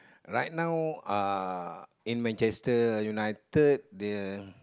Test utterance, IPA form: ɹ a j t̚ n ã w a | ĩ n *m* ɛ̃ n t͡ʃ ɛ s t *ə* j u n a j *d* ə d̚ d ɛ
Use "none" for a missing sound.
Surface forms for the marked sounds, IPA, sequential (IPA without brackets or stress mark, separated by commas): m, ə, t